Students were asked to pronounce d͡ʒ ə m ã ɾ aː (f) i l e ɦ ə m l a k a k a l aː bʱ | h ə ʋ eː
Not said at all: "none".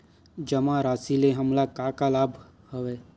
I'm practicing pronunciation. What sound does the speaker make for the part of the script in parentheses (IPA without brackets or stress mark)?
s